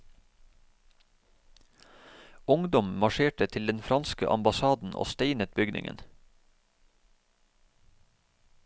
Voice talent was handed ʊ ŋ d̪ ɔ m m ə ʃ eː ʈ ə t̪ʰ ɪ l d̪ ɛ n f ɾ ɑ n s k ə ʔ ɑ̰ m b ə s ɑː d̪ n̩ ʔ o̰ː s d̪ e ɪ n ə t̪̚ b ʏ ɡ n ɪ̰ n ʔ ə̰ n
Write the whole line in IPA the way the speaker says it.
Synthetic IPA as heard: ʊ ŋ d̪ ɔ m m ɑ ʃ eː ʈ ə t̪ʰ ɪ l d̪ ɛ n f ɾ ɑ n s k ə ʔ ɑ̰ m b ɑ s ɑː d̪ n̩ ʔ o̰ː s t̪ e ɪ n ə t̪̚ b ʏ ɡ n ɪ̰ ŋ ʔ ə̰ n